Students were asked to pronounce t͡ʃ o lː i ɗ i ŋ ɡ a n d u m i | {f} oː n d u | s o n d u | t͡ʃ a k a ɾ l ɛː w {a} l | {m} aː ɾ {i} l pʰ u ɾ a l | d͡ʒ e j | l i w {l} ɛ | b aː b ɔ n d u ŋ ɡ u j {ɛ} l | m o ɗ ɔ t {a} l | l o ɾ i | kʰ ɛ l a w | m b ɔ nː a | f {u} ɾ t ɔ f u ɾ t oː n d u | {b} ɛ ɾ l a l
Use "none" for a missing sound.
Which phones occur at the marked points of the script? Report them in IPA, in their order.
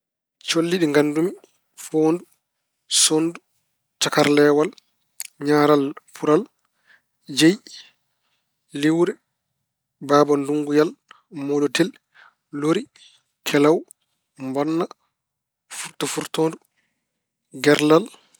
f, a, ɲ, a, ɾ, a, ɛ, u, ɡ

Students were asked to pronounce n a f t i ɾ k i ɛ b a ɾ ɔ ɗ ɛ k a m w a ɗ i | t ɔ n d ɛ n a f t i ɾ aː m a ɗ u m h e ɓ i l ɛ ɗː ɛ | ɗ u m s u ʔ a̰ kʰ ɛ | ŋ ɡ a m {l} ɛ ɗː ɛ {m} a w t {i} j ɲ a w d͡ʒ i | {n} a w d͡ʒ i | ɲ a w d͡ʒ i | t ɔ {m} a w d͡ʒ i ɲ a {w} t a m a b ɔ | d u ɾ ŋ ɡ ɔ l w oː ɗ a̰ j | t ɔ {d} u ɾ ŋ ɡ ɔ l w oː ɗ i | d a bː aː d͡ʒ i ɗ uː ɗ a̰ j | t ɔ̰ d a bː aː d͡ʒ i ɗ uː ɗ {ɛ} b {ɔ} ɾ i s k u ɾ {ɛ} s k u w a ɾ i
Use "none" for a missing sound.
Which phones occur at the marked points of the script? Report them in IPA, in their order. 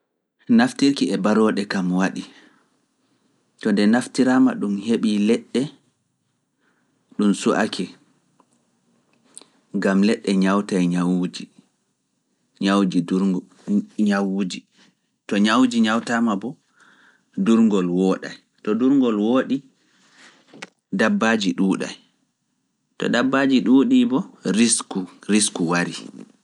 l, ɲ, a, ɲ, ɲ, w, d, i, ɔ, i

